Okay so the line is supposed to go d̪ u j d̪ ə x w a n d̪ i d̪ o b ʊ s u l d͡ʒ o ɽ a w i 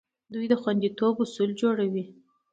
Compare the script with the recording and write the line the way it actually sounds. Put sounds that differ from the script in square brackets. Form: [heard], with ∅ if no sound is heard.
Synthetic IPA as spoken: d̪ u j d̪ ə x w a n d̪ i [t̪] o b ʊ s u l d͡ʒ o ɽ a w i

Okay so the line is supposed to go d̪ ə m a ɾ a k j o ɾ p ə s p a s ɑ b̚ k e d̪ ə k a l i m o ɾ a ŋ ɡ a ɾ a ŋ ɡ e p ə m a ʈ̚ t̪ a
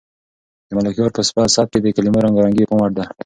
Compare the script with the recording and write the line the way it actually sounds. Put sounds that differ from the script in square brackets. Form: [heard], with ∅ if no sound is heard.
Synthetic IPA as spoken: d̪ ə m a [l] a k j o ɾ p ə s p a s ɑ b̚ k e d̪ ə k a l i m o ɾ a ŋ ɡ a ɾ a ŋ ɡ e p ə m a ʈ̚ [d̪] a

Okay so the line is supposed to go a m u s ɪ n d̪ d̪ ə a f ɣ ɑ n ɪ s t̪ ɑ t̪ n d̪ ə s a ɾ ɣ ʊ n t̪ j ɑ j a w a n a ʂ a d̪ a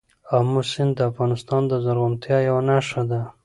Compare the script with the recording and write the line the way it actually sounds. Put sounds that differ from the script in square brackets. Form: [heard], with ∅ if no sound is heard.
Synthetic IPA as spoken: a m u s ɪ n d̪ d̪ ə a f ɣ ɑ n ɪ s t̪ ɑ [∅] n d̪ ə [z] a ɾ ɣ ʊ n t̪ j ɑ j a w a n a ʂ a d̪ a

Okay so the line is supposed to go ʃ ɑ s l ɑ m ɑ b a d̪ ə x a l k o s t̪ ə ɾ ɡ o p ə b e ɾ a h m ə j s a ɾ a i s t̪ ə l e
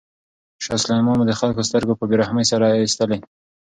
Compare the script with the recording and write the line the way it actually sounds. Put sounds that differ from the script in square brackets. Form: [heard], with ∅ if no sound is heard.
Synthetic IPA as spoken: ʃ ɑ s l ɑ m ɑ [m] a d̪ ə x a l k o s t̪ ə ɾ ɡ o p ə b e ɾ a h m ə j s a ɾ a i s t̪ ə l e

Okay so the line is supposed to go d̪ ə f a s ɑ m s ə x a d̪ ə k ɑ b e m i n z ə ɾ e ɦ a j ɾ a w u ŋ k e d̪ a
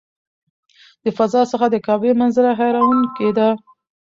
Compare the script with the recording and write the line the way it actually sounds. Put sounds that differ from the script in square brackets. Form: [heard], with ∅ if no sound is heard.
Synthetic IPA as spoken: d̪ ə f a [z] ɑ [∅] s ə x a d̪ ə k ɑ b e m [a] n z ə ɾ [a] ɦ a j ɾ a w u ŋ k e d̪ a

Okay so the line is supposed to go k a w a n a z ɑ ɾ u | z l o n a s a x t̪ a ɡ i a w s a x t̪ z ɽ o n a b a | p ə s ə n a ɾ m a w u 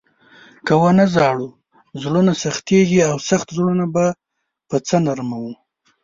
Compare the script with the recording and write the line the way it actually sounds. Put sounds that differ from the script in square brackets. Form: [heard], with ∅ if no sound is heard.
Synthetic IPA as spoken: k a w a n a z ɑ [ɽ] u | z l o n a s a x t̪ [e] ɡ i a w s a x t̪ z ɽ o n a b a | p ə [t͡s] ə n a ɾ m a w u

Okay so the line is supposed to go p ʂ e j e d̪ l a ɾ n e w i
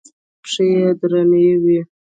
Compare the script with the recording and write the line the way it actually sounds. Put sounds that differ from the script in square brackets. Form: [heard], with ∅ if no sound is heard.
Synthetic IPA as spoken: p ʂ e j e d̪ [ɾ] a [∅] n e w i

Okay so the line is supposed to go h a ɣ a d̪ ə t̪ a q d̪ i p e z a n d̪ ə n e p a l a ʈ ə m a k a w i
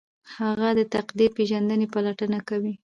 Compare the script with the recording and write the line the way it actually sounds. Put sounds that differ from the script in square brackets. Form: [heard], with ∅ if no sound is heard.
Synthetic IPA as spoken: h a ɣ a d̪ ə t̪ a q d̪ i p e [ʒ] a n d̪ ə n e p a l a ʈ ə [n] a k a w i

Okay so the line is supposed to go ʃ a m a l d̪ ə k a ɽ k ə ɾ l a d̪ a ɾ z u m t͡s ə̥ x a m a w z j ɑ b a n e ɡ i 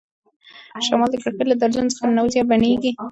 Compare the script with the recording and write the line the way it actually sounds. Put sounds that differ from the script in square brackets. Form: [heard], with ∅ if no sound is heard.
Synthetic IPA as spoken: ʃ a m [ɑ] l d̪ ə k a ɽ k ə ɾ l a d̪ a ɾ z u [n] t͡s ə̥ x a [n] a w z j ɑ b a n e ɡ i

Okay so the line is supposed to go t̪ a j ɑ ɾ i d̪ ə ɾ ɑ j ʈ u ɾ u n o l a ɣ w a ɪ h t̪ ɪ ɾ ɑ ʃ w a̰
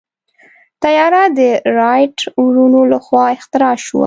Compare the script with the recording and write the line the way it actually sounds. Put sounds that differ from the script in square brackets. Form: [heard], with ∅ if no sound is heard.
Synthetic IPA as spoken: t̪ a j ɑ ɾ [a] d̪ ə ɾ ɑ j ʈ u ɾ u n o l a [x] w [ɑ] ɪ [x] t̪ ɪ ɾ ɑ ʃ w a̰

